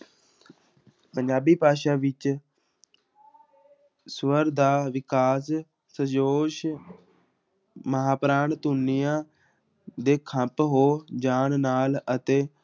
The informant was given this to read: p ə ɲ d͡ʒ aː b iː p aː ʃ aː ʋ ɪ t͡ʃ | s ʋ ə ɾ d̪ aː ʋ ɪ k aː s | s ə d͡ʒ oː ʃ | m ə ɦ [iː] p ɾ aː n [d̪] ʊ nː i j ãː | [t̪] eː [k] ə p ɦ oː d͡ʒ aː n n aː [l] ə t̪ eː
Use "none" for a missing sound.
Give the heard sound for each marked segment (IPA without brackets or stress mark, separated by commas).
aː, t̪, d̪, kʰ, l